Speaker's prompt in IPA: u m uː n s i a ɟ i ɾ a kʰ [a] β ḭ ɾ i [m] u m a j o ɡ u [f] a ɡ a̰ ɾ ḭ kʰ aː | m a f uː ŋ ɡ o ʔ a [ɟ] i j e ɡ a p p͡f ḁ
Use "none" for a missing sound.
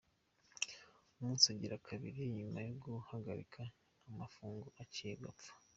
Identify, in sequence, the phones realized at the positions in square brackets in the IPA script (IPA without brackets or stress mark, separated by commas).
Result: a, ɲ, h, c